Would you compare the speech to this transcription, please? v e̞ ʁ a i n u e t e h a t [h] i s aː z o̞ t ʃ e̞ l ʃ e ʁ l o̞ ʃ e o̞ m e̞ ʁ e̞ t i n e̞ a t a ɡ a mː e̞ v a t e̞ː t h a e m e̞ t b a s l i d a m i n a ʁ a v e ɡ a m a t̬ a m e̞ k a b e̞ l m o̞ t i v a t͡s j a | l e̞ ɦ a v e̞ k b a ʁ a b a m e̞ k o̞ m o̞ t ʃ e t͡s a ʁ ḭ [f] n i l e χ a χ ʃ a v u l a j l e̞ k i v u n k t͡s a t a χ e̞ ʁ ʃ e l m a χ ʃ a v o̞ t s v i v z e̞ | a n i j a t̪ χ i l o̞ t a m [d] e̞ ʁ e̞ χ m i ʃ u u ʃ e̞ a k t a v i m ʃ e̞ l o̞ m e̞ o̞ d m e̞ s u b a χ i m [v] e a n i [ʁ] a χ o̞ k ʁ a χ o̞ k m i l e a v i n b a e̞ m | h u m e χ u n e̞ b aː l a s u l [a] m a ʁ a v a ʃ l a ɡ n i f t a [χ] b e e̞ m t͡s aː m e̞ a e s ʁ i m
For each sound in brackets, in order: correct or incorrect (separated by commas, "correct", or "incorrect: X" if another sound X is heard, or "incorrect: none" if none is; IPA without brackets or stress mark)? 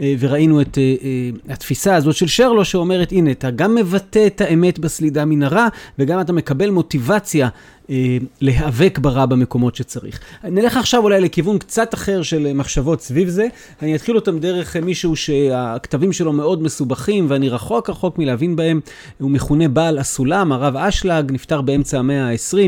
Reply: incorrect: f, incorrect: χ, correct, correct, correct, correct, incorrect: ʁ